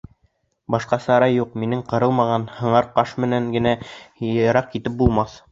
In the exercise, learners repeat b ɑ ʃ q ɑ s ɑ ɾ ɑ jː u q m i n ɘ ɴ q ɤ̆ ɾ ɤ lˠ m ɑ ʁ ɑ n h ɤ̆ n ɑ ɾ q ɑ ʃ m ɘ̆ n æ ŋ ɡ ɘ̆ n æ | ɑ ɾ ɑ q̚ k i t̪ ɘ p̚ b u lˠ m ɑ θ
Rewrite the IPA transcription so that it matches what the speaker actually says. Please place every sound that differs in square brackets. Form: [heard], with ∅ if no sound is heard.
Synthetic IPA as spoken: b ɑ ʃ q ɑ s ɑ ɾ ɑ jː u q m i n ɘ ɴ q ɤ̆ ɾ ɤ lˠ m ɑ ʁ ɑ n h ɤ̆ [ɴ] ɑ ɾ q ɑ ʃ m ɘ̆ n æ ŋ ɡ ɘ̆ n æ | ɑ ɾ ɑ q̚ k i t̪ ɘ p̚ b u lˠ m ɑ θ

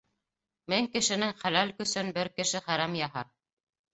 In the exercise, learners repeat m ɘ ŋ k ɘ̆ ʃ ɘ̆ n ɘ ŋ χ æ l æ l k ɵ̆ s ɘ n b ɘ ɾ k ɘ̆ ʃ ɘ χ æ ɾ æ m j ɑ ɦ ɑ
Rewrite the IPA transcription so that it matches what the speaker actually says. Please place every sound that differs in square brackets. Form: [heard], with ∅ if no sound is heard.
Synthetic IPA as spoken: m ɘ ŋ k ɘ̆ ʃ ɘ̆ n ɘ ŋ χ æ l æ l k ɵ̆ s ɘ n b ɘ ɾ k ɘ̆ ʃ ɘ χ æ ɾ æ m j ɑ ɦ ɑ

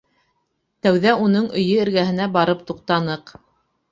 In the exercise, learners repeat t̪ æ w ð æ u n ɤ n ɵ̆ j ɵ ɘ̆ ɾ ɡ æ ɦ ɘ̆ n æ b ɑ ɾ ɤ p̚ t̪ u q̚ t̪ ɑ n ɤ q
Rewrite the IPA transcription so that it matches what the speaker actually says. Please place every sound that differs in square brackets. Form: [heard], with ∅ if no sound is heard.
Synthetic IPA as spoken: t̪ æ w ð æ u n ɤ [ɴ] ɵ̆ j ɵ ɘ̆ ɾ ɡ æ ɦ ɘ̆ n æ b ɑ ɾ ɤ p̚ t̪ u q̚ t̪ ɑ n ɤ q

